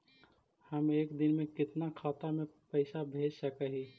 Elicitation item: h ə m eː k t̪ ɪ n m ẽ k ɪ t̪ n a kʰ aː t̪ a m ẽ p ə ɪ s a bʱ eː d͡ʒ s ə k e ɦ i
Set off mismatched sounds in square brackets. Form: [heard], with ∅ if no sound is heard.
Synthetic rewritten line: h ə m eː k [d̪] ɪ n m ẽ k ɪ t̪ n a kʰ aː t̪ a m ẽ p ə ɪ s a bʱ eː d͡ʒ s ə k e ɦ i